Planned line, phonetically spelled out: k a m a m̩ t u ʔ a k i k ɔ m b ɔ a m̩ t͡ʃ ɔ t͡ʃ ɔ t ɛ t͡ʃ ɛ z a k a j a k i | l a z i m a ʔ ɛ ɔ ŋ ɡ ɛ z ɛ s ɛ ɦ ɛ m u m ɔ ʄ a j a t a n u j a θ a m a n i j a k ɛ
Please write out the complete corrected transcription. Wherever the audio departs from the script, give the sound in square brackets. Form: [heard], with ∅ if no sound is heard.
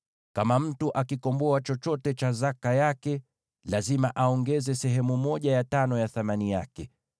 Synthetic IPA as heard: k a m a m̩ t u ʔ a k i k ɔ m b ɔ a [∅] t͡ʃ ɔ t͡ʃ ɔ t ɛ t͡ʃ [a] z a k a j a k [ɛ] | l a z i m a ʔ [a] ɔ ŋ ɡ ɛ z ɛ s ɛ ɦ ɛ m u m ɔ ʄ a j a t a n [ɔ] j a θ a m a n i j a k ɛ